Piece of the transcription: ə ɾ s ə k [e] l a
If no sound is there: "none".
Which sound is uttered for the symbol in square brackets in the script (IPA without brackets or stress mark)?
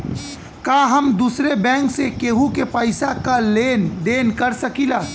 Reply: i